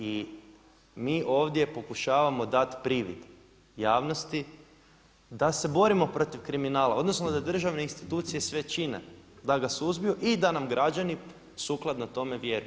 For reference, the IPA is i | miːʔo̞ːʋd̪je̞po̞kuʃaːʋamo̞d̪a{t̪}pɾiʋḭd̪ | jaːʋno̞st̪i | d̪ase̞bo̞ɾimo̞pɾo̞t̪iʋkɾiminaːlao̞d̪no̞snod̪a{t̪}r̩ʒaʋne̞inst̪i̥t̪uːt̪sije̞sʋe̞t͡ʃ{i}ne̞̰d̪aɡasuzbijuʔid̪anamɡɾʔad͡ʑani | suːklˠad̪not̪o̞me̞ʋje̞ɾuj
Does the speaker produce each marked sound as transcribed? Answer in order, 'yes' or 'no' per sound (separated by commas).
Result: yes, no, yes